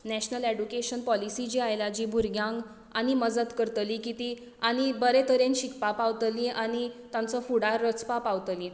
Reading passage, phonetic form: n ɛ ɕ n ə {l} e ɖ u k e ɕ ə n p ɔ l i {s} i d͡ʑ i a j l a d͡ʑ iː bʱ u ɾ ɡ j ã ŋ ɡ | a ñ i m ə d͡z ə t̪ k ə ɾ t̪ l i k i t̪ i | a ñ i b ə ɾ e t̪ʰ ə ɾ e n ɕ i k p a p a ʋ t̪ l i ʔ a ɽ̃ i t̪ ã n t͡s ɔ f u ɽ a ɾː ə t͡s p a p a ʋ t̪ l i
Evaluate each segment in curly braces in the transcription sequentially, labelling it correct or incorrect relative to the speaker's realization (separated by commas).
correct, correct